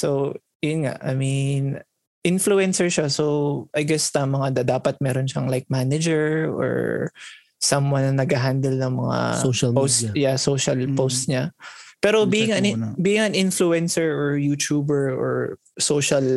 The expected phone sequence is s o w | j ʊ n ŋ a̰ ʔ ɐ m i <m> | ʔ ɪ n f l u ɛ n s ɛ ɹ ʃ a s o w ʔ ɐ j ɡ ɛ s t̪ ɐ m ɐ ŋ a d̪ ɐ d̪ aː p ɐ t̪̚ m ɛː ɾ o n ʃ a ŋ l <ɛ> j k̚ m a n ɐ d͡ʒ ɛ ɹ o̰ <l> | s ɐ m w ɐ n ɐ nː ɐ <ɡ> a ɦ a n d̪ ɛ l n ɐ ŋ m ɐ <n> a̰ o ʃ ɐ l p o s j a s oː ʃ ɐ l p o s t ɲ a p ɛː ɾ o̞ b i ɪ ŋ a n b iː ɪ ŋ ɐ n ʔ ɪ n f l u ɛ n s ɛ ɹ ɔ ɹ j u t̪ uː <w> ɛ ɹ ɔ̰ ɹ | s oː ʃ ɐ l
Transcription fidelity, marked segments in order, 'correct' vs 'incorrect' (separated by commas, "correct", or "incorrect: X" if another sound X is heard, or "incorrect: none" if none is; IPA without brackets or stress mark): incorrect: n, incorrect: a, incorrect: ɹ, correct, incorrect: ŋ, incorrect: b